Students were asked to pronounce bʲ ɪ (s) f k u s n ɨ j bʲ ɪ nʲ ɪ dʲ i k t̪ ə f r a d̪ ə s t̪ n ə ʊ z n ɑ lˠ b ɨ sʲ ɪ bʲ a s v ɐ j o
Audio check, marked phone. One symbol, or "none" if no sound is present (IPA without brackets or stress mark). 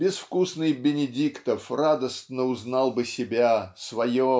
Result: s